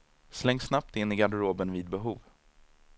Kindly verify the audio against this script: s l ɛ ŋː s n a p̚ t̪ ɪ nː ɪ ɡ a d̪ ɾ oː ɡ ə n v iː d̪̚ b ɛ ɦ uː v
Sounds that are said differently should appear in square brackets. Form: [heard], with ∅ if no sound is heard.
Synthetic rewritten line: s l ɛ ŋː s n a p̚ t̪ ɪ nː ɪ ɡ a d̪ ɾ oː [b] ə n v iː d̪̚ b ɛ ɦ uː v